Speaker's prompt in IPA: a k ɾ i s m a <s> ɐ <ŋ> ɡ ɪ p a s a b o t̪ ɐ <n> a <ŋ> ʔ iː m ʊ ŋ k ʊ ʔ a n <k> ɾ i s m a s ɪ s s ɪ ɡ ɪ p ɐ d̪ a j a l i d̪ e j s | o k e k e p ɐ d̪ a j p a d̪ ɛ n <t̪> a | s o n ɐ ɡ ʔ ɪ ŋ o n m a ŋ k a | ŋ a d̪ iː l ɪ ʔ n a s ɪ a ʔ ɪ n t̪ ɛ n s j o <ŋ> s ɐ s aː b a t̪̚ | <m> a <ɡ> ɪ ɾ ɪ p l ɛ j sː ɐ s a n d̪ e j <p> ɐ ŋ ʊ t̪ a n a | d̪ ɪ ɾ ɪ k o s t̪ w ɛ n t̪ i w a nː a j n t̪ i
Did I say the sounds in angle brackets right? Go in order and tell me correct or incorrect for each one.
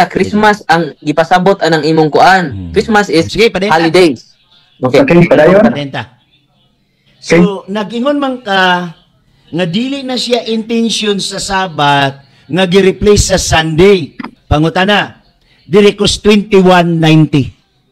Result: correct, correct, correct, correct, correct, correct, incorrect, incorrect, correct, correct

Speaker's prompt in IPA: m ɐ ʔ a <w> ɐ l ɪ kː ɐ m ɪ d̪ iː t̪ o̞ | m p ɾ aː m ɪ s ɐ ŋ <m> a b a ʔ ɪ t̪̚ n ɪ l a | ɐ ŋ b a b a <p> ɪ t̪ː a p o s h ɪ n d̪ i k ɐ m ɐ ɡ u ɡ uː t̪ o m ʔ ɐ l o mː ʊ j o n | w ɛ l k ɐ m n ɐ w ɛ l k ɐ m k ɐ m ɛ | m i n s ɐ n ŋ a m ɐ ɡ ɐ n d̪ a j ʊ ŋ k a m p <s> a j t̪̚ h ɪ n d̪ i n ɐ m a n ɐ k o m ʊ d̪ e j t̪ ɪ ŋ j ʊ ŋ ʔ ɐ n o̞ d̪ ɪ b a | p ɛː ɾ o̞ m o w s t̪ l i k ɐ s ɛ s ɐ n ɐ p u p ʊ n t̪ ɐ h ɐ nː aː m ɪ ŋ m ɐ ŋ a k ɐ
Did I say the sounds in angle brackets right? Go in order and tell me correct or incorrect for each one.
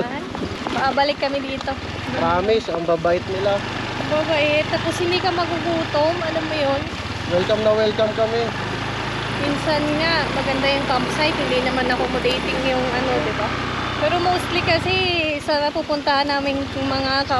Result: incorrect, incorrect, incorrect, correct

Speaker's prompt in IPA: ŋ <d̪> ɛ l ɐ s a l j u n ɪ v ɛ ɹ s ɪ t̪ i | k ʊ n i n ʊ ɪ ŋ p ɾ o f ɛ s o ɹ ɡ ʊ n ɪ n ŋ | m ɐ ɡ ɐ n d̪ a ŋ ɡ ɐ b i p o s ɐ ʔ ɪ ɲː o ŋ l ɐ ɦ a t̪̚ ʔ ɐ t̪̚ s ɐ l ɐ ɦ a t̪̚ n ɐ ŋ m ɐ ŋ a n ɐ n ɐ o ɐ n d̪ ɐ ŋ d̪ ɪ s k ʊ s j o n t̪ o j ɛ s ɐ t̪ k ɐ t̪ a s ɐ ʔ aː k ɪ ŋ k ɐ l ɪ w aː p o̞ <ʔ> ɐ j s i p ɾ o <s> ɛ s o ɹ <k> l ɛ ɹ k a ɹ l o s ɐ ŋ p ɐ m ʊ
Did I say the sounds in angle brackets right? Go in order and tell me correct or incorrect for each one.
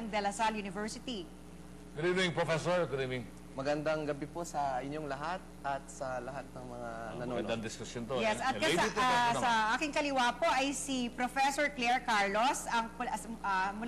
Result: correct, correct, incorrect, correct

